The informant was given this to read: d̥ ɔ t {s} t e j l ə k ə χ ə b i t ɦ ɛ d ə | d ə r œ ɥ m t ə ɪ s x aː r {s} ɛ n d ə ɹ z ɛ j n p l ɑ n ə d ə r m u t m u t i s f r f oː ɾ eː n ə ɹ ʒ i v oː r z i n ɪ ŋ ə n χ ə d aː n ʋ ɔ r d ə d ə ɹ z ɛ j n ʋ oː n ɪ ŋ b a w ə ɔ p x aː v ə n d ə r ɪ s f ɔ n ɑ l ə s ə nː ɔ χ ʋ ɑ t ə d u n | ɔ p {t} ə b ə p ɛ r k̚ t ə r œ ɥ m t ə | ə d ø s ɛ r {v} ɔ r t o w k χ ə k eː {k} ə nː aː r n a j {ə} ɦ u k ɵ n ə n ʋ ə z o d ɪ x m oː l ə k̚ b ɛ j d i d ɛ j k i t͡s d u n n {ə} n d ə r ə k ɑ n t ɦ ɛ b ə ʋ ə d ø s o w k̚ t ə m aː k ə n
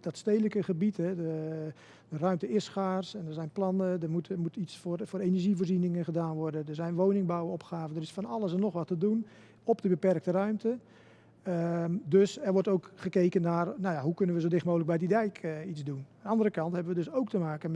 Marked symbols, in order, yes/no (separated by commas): yes, yes, no, no, yes, no, no